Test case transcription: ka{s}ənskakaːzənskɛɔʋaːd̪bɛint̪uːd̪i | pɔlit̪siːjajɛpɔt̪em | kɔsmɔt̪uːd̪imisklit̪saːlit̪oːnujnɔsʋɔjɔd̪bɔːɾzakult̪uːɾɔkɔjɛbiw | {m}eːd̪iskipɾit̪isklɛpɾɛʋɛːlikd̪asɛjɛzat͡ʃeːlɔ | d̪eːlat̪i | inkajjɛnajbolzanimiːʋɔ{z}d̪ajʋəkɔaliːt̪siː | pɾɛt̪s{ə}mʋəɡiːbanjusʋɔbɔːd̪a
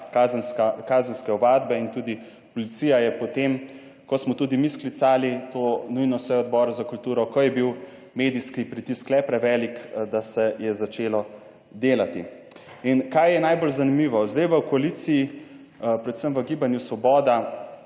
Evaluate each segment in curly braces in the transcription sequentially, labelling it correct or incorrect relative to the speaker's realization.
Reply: incorrect: z, correct, correct, correct

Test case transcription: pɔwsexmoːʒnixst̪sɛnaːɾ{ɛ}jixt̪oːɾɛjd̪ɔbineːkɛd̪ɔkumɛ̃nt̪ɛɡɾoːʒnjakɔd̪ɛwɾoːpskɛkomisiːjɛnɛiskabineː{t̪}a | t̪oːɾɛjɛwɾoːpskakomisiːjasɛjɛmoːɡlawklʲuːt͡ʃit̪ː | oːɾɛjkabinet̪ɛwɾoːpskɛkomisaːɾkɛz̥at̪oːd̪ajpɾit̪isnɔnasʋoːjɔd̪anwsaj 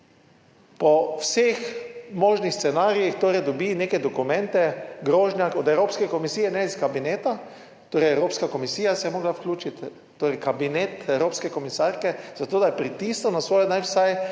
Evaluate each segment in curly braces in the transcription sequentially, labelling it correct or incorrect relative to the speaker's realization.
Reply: incorrect: i, correct

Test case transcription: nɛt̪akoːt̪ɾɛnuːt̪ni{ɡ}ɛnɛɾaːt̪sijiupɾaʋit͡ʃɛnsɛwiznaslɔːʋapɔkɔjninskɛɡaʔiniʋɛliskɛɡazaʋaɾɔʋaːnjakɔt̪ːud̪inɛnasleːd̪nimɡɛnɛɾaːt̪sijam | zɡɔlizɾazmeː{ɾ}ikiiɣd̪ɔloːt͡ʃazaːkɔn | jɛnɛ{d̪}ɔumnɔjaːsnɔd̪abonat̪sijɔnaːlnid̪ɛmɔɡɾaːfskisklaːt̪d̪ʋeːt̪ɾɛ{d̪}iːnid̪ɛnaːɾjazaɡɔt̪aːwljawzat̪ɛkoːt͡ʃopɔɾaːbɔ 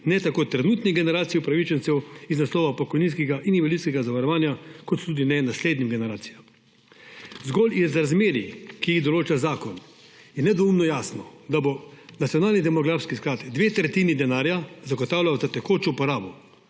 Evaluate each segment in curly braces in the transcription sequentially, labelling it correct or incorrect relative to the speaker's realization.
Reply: correct, correct, correct, incorrect: t̪

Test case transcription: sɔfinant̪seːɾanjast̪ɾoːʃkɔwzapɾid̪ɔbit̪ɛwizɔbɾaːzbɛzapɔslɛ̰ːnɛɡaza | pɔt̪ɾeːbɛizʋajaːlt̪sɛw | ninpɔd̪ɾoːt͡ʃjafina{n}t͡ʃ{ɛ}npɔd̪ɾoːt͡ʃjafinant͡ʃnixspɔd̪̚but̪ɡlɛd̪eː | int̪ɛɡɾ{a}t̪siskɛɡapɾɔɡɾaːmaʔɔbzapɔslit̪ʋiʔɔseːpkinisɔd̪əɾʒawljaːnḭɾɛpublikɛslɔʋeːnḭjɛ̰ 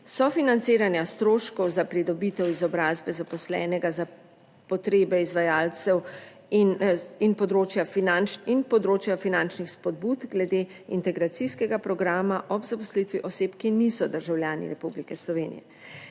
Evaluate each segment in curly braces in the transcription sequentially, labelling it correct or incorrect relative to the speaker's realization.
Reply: correct, incorrect: i, correct

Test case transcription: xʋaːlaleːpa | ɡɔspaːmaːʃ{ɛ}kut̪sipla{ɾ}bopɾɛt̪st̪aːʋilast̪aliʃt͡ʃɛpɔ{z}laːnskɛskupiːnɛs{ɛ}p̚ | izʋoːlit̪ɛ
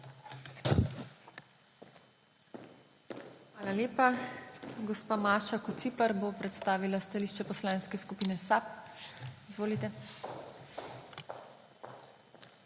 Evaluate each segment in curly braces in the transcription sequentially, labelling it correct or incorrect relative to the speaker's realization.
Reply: incorrect: a, correct, incorrect: s, incorrect: a

